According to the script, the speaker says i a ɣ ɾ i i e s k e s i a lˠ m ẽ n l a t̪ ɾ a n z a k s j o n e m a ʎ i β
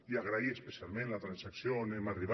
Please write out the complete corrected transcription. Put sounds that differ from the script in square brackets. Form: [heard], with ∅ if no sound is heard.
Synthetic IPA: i a ɣ ɾ [a] i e s [p] e s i a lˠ m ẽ n l a t̪ ɾ a n [s] a k s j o n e m a [r] i β